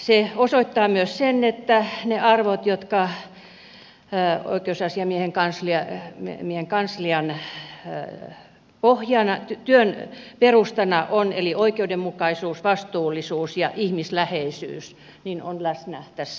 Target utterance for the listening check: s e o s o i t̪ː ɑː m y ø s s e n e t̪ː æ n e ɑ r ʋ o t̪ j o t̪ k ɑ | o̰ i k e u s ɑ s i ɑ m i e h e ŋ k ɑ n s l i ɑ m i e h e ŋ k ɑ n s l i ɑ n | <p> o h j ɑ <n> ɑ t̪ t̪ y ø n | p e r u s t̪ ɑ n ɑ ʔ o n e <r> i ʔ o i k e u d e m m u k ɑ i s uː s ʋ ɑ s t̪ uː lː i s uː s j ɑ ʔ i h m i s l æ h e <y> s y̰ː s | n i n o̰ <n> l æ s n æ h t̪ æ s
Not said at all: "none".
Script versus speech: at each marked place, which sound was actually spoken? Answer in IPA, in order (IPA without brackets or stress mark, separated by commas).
p, n, l, i, n